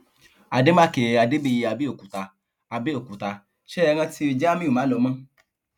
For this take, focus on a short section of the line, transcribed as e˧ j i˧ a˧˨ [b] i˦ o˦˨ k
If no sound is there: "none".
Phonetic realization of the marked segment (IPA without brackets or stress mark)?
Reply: b